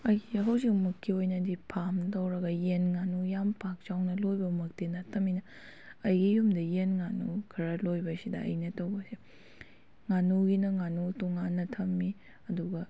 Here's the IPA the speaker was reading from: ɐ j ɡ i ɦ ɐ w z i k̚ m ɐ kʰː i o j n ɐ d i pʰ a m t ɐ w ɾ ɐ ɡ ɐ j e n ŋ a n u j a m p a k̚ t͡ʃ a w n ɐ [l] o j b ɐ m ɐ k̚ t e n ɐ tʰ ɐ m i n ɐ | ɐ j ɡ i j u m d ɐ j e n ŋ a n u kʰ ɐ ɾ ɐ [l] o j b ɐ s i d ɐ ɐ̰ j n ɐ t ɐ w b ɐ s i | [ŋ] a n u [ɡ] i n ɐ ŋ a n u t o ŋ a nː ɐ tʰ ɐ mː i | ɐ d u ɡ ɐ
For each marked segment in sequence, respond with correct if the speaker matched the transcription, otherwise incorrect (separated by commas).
correct, correct, correct, correct